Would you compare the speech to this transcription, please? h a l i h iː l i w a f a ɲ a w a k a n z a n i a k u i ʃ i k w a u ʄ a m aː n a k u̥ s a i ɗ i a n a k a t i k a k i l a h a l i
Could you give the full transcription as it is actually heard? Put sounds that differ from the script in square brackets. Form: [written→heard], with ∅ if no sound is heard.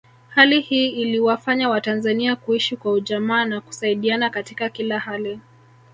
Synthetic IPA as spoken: h a l i h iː l i w a f a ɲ a w a [k→t] a n z a n i a k u i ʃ i k w a u ʄ a m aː n a k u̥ s a i ɗ i a n a k a t i k a k i l a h a l i